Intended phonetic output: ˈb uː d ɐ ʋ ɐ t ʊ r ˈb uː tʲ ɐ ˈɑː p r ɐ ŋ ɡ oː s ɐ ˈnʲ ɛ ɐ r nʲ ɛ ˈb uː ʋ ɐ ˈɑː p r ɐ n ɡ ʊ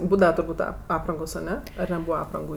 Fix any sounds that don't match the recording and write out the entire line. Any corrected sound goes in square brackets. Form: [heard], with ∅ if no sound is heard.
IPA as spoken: ˈb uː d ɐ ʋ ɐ t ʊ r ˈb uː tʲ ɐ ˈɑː p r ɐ ŋ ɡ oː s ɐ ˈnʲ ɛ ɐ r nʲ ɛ ˈb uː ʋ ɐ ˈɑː p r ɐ [ŋ] ɡ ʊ